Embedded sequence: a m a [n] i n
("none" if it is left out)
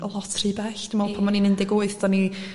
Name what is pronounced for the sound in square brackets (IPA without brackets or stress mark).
n